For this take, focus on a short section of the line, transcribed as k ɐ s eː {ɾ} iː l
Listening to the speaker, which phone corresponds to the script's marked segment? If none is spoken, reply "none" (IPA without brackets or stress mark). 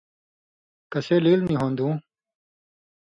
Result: l